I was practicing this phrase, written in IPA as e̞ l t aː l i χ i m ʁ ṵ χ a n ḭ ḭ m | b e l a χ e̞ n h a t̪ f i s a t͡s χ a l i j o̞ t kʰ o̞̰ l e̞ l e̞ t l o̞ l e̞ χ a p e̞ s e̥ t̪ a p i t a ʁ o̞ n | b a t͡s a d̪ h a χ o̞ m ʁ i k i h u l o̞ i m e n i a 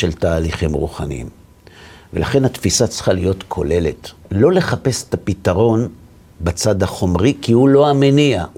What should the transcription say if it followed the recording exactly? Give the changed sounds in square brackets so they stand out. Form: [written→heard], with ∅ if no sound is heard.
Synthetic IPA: e̞ l t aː l i χ i m ʁ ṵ χ a n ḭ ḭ m | [b→v] e l a χ e̞ n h a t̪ f i s a t͡s χ a l i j o̞ t kʰ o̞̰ l e̞ l e̞ t l o̞ l e̞ χ a p e̞ s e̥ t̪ a p i t a ʁ o̞ n | b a t͡s a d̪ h a χ o̞ m ʁ i k i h u l o̞ [i→a] m e n i a